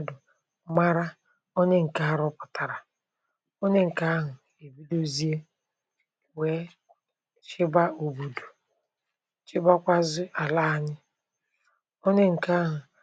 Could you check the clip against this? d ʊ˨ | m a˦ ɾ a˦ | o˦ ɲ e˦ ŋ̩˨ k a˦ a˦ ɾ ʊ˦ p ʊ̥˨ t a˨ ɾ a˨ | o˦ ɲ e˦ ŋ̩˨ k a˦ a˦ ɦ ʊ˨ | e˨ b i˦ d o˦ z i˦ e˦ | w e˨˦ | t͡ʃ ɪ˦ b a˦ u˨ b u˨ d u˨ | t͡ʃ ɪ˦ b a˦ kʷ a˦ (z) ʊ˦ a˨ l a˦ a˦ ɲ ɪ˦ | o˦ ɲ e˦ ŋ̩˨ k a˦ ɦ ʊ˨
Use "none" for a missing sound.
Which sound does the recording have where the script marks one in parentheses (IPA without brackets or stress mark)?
z